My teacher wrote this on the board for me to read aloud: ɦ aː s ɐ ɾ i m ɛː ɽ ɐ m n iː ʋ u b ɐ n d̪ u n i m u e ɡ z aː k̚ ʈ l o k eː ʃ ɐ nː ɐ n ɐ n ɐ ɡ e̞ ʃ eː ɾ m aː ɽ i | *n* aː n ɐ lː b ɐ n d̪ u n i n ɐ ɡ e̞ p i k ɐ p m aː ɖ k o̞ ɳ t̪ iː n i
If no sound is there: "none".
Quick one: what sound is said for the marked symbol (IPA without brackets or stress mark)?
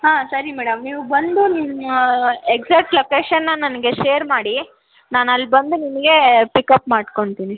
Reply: n